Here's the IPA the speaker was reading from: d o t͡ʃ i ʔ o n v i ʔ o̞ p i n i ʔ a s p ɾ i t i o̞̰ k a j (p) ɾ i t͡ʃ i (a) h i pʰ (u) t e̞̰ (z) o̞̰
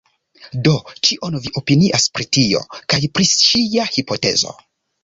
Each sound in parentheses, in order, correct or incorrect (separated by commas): correct, correct, incorrect, correct